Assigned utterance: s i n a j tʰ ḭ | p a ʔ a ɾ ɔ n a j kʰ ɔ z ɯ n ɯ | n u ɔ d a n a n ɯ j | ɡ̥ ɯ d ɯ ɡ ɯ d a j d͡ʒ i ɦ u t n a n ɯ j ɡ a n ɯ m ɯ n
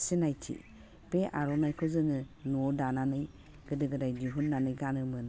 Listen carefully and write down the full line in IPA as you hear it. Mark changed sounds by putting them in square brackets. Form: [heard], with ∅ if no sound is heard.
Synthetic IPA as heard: s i n a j tʰ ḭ | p [e] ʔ a ɾ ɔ n a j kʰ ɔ z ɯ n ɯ | n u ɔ d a n a n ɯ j | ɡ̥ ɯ d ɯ ɡ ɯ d a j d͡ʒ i ɦ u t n a n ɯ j ɡ a n ɯ m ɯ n